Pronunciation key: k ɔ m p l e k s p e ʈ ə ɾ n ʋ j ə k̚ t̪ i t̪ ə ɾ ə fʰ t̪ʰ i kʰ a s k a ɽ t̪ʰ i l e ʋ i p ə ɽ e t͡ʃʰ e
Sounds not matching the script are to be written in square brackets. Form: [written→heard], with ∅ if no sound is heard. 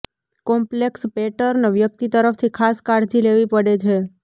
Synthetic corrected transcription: k ɔ m p l e k s p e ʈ ə ɾ n ʋ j ə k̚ t̪ i t̪ ə ɾ ə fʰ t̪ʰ i kʰ a s k a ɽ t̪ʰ i l e ʋ i p ə ɽ e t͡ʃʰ e